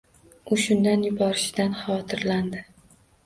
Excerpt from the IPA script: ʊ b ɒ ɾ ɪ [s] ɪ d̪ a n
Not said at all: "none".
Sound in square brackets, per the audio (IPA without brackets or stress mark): ʃ